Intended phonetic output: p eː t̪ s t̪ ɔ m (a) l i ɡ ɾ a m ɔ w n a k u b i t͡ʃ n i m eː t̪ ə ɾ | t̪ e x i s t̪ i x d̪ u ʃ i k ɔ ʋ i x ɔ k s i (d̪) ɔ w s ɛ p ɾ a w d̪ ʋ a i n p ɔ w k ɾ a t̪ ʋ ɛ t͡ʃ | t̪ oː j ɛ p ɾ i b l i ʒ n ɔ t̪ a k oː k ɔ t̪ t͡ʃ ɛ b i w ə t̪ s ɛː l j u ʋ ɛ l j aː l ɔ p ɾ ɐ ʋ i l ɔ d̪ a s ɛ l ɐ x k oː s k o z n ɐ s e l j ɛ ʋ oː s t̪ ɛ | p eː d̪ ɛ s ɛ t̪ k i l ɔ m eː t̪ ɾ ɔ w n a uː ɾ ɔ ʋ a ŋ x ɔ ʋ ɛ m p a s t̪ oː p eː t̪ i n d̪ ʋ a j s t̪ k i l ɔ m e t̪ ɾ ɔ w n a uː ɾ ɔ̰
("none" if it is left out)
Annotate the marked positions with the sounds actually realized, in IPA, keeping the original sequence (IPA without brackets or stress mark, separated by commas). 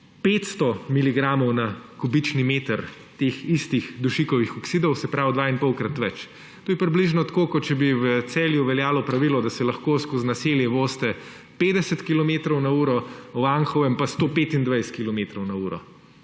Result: i, d̪